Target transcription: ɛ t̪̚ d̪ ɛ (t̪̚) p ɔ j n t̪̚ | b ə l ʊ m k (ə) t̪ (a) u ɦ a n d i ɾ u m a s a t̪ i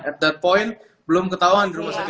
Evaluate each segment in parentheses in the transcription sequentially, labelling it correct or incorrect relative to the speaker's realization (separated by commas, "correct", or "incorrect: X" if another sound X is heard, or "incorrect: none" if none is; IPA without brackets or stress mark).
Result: correct, correct, correct